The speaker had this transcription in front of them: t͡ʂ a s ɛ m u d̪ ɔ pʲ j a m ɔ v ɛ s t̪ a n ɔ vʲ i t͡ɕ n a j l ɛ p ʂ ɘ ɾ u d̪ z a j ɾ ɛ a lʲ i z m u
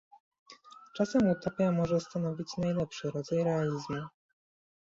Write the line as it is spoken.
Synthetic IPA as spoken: t͡ʂ a s ɛ m u t̪ ɔ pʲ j a m ɔ ʐ ɛ s t̪ a n ɔ vʲ i t͡ɕ n a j l ɛ p ʂ ɘ ɾ ɔ d̪ z a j ɾ ɛ a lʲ i z m u